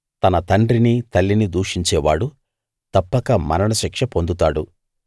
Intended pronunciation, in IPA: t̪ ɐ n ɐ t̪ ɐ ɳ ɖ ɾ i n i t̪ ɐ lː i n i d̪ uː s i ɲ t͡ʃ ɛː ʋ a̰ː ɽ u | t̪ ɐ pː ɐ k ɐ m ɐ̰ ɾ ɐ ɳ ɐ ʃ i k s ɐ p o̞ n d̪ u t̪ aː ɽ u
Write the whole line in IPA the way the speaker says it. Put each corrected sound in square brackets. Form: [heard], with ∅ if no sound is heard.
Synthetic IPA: t̪ ɐ n ɐ t̪ ɐ ɳ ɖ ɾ i n i t̪ ɐ lː i n i d̪ uː [ʂ] i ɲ t͡ʃ ɛː ʋ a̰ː ɽ u | t̪ ɐ pː ɐ k ɐ m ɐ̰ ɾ ɐ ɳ ɐ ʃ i k [ʂ] ɐ p o̞ n d̪ u t̪ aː ɽ u